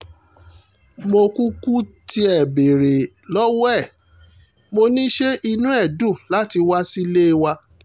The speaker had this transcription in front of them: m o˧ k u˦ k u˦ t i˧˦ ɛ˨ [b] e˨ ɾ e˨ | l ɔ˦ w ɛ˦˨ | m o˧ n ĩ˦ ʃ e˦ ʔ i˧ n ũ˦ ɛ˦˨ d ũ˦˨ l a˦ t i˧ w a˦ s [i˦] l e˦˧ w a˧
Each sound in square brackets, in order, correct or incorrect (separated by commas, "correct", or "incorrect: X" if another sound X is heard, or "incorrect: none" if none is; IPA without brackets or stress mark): correct, correct